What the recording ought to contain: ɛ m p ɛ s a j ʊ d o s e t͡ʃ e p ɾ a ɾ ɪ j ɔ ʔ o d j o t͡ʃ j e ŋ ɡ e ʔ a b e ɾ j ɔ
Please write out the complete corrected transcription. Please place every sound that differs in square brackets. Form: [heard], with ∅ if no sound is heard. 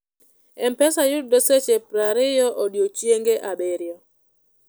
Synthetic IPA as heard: ɛ m p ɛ s a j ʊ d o s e t͡ʃ e p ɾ a ɾ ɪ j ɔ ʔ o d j o t͡ʃ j e ŋ ɡ e ʔ a b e ɾ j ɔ